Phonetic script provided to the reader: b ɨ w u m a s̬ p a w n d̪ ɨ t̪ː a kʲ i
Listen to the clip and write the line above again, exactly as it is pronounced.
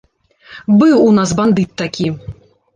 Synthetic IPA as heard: b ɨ w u n a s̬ b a n d̪ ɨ t̪ː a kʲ i